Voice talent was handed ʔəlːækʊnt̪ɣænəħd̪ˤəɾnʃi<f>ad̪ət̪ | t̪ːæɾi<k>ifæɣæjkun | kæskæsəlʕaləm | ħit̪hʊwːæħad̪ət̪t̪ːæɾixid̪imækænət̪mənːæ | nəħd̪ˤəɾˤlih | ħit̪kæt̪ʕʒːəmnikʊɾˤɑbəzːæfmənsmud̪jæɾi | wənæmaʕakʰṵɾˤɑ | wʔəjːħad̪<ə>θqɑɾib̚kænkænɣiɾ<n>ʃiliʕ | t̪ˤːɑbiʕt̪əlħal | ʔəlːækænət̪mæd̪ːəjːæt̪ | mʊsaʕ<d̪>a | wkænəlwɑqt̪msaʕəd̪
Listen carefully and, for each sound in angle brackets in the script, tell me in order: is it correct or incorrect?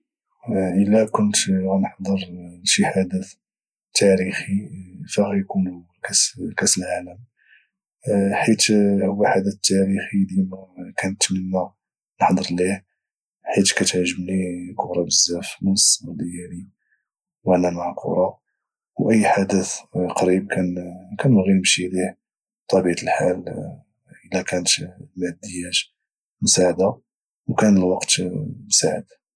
incorrect, incorrect, correct, incorrect, correct

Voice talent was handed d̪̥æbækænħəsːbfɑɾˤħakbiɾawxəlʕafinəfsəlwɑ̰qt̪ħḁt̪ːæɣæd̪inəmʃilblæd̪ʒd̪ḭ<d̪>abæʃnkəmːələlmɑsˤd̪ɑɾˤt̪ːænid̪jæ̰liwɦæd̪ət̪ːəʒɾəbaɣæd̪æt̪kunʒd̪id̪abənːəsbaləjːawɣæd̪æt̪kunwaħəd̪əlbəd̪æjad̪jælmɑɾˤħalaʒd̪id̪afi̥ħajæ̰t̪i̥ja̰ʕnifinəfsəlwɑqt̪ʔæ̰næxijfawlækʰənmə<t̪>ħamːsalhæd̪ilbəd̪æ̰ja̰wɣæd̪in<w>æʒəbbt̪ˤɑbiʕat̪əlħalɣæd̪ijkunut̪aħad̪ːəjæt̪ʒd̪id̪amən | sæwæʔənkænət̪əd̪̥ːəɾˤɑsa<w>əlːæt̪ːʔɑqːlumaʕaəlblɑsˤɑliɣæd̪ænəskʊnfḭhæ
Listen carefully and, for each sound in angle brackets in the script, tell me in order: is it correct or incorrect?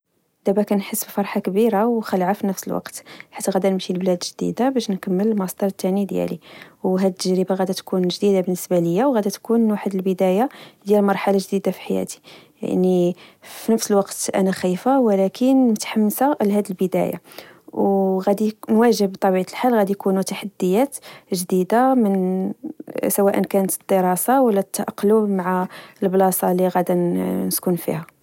correct, correct, correct, correct

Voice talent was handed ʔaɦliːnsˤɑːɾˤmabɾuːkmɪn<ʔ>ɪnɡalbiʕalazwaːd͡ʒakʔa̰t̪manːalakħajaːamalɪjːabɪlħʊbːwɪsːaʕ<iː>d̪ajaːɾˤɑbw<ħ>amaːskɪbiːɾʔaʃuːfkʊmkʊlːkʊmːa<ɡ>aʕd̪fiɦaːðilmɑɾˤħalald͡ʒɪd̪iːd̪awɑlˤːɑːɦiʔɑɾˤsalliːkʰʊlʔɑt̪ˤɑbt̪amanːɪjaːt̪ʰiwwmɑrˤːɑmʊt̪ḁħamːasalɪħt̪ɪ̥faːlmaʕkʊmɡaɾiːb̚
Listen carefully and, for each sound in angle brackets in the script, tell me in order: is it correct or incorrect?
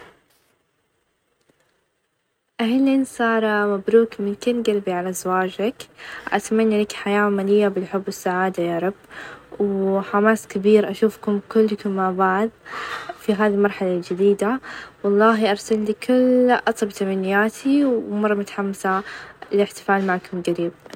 incorrect, incorrect, correct, incorrect

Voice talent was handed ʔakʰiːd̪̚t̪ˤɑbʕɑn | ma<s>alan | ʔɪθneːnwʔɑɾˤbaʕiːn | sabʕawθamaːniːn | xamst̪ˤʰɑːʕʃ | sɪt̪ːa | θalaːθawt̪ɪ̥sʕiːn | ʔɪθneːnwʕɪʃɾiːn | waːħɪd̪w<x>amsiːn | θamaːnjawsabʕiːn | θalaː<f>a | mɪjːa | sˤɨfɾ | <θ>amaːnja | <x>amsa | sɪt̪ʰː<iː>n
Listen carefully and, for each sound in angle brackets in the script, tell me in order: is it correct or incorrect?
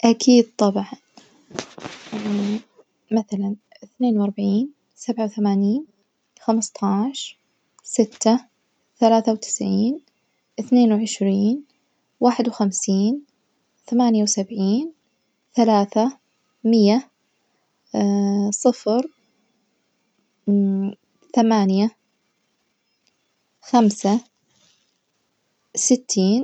incorrect, correct, incorrect, correct, correct, correct

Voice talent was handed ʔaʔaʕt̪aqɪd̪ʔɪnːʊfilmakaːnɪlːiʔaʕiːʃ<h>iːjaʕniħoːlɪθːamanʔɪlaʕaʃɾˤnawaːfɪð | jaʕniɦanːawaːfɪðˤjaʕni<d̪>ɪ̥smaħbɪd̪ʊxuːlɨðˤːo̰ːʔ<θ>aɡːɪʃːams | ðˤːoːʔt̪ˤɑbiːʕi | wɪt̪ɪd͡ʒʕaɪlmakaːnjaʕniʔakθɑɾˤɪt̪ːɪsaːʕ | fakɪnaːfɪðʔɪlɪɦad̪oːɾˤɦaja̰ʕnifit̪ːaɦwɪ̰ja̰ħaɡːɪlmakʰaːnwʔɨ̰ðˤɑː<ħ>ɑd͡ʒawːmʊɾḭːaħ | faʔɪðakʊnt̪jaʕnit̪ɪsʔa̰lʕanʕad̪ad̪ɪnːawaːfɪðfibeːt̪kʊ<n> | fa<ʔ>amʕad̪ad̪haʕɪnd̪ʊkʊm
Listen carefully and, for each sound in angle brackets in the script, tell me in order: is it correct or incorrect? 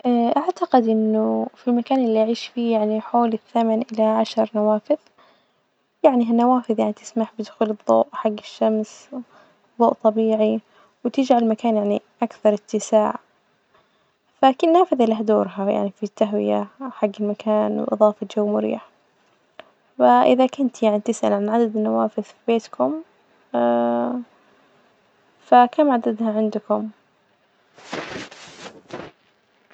incorrect, incorrect, incorrect, incorrect, incorrect, incorrect

